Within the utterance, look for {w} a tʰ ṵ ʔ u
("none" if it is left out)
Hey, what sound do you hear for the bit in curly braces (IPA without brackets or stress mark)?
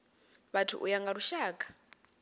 β